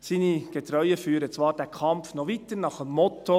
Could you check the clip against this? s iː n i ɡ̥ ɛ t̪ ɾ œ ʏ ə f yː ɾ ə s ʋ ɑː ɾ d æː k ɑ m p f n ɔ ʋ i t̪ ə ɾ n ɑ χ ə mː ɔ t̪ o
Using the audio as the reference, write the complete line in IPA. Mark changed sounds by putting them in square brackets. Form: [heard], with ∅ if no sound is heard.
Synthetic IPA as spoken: s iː n i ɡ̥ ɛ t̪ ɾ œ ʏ ə f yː ɾ ə [t͡s] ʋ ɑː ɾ d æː [kʰ] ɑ m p f n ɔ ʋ i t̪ ə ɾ n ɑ χ ə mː ɔ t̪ o